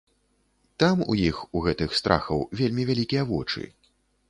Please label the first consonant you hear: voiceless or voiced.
voiceless